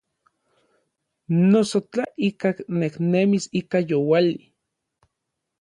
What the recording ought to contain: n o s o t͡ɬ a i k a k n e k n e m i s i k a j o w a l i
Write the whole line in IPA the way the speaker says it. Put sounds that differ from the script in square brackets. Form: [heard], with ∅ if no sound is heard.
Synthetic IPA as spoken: n o s o t͡ɬ a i k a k n e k n e m i s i k a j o w a l i